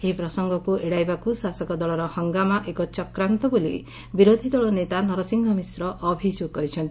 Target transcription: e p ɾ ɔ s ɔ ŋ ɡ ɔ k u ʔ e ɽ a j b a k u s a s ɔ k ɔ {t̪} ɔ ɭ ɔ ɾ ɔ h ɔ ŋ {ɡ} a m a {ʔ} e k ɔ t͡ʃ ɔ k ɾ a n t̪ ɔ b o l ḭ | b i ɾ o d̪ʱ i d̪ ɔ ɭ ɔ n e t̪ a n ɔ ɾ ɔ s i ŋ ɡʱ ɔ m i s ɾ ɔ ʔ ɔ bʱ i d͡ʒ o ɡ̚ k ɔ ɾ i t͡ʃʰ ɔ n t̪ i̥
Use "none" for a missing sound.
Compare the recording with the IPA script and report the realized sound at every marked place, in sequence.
d̪, ɡ, ʔ

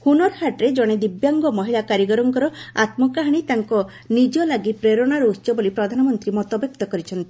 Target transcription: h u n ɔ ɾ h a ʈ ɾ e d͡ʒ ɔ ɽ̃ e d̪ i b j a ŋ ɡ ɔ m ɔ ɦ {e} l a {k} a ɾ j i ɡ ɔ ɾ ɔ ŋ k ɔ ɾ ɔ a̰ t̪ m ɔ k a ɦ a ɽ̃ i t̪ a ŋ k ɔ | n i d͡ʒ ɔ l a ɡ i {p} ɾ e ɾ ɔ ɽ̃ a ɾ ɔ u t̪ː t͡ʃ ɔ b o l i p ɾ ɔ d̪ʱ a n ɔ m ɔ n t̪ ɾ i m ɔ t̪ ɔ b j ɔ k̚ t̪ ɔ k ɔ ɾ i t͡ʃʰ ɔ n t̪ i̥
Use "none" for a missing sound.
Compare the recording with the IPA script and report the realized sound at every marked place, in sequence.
i, k, p

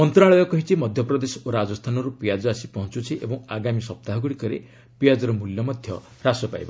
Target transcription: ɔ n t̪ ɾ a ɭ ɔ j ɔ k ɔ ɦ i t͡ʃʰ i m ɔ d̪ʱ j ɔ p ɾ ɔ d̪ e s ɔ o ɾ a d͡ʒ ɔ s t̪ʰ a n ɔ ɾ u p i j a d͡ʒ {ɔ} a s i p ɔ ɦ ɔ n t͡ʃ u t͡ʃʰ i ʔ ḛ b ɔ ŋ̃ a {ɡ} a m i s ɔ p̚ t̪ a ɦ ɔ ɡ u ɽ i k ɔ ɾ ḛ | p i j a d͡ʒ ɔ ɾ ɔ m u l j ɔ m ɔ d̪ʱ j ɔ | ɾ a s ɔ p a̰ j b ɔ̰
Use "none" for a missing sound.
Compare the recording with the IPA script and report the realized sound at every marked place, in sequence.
ɔ, ɡ

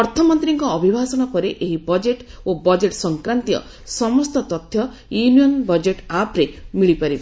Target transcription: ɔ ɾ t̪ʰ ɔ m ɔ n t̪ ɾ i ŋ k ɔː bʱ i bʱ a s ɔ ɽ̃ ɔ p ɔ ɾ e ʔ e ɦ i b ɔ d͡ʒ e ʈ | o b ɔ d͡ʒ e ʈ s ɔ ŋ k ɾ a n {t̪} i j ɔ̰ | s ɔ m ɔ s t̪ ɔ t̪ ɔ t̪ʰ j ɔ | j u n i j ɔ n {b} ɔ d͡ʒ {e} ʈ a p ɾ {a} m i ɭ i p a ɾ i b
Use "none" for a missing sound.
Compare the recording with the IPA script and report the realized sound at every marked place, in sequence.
t̪, b, e, e

